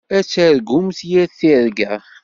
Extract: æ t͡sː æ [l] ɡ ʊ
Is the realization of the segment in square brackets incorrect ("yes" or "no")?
yes